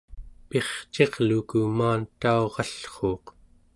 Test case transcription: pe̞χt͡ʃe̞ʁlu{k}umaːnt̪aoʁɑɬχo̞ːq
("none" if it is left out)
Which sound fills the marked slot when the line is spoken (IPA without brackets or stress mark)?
k